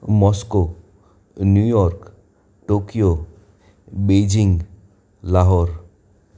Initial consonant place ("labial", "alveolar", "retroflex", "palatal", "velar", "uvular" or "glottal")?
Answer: labial